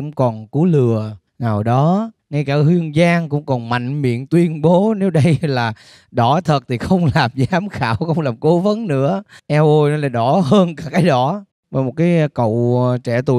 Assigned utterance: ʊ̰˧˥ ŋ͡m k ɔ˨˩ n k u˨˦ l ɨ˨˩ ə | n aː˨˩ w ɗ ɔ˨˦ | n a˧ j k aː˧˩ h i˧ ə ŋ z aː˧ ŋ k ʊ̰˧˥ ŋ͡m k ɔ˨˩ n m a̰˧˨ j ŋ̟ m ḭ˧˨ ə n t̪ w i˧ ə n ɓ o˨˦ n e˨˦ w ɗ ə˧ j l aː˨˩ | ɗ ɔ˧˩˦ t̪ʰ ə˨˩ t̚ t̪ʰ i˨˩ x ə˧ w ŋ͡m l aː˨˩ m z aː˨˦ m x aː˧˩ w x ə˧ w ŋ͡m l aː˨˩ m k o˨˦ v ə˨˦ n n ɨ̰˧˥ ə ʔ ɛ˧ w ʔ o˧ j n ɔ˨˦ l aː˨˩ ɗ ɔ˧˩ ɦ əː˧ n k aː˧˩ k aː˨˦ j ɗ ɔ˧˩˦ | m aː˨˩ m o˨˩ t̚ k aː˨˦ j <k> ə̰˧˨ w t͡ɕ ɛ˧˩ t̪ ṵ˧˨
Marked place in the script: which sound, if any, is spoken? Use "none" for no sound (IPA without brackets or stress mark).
k